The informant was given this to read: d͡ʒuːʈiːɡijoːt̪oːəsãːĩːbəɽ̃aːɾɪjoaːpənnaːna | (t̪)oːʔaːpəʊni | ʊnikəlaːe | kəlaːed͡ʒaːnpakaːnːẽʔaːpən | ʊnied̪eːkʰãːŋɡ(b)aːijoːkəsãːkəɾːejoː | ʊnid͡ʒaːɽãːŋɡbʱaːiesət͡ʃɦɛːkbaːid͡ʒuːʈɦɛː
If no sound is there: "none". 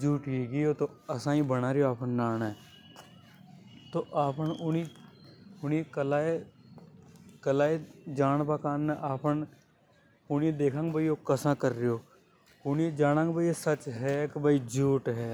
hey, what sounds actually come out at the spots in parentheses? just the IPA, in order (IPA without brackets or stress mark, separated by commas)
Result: t̪, b